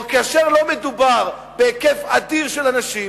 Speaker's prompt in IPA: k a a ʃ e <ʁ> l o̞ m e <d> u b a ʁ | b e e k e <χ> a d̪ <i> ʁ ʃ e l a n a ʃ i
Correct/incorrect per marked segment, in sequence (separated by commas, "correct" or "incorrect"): correct, correct, incorrect, correct